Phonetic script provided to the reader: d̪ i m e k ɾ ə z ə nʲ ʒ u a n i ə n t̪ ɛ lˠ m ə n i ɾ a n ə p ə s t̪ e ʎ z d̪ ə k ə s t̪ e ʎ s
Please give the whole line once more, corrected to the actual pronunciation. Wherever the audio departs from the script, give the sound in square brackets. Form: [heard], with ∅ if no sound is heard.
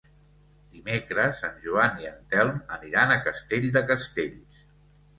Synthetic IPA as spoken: d̪ i m e k ɾ ə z ə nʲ ʒ u a n i ə n t̪ ɛ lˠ m ə n i ɾ a n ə [k] ə s t̪ e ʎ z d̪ ə k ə s t̪ e ʎ s